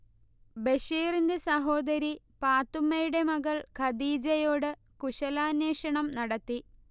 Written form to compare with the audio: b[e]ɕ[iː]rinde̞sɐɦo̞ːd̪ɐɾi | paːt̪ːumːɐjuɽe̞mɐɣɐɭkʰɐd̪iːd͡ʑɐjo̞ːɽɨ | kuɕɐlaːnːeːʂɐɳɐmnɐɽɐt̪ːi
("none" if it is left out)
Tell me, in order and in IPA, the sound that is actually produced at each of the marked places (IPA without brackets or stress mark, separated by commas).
e, iː